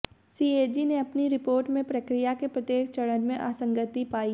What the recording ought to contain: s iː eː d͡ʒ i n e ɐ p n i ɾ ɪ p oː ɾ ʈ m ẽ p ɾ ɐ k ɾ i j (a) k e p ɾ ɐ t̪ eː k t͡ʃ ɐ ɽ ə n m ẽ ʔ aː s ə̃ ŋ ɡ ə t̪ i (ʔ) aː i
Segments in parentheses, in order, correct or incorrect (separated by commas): correct, incorrect